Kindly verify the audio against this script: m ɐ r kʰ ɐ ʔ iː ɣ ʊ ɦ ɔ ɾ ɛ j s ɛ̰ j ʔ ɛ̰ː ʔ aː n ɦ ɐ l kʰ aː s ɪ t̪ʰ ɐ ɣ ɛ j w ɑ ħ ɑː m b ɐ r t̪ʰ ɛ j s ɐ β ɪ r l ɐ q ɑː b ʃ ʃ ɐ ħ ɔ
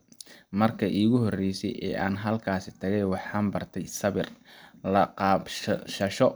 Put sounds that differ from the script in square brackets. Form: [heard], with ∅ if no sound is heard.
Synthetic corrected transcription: m ɐ r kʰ ɐ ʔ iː ɣ ʊ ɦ ɔ [r] ɛ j s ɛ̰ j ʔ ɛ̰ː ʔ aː n ɦ ɐ l kʰ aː s ɪ t̪ʰ ɐ ɣ ɛ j w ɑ ħ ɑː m b ɐ r t̪ʰ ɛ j s ɐ β ɪ r l ɐ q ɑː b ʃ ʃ ɐ [ʃ] ɔ